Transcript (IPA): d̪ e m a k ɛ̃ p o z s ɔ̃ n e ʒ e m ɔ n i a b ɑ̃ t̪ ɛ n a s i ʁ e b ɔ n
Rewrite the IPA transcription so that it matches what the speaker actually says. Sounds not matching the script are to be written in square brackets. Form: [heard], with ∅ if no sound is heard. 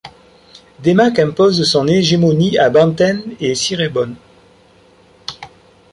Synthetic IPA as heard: d̪ e m a k ɛ̃ p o z s ɔ̃ n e ʒ e m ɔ n i a b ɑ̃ t̪ ɛ n [e] s i ʁ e b ɔ n